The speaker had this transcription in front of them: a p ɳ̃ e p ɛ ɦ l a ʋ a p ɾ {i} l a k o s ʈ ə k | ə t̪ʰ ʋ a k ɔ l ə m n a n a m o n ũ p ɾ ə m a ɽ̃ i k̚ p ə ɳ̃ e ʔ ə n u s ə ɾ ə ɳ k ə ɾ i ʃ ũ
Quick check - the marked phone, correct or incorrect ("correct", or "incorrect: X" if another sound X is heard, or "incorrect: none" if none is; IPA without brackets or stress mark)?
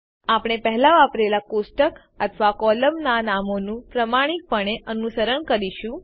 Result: incorrect: e